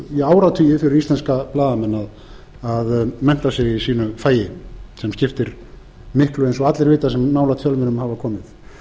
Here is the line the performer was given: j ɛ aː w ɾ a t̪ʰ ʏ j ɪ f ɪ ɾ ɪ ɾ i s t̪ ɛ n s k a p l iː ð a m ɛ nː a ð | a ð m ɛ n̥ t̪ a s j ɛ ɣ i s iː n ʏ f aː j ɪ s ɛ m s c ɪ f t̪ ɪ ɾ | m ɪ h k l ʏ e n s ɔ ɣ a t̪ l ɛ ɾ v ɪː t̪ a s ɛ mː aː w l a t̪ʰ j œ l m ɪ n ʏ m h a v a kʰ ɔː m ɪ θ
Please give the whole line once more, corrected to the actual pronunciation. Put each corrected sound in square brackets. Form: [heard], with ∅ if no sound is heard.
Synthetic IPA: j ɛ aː w ɾ a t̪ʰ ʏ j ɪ f ɪ ɾ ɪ ɾ i s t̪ ɛ n s k a p l [aː] ð a m ɛ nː a ð | a ð m ɛ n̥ t̪ a s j ɛ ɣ i s iː n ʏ f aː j ɪ s ɛ m s c ɪ f t̪ ɪ ɾ | m ɪ h k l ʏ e n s ɔ ɣ a t̪ l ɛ ɾ v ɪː t̪ a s ɛ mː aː w l a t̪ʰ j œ l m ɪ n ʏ m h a v a kʰ ɔː m ɪ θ